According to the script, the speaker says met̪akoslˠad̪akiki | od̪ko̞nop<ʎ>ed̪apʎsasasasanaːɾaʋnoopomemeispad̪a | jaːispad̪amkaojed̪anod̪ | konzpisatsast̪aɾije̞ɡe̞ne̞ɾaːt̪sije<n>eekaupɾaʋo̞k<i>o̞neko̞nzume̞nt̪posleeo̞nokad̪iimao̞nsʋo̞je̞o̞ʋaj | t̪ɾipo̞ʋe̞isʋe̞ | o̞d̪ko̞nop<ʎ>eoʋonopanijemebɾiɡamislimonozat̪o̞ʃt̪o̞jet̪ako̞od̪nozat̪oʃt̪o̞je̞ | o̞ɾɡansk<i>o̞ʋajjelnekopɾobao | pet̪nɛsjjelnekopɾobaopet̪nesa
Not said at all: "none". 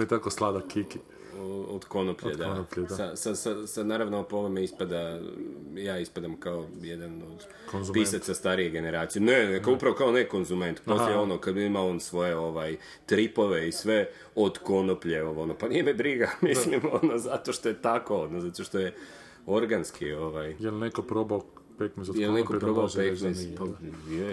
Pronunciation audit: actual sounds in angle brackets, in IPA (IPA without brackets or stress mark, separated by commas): ʎ, n, a, ʎ, i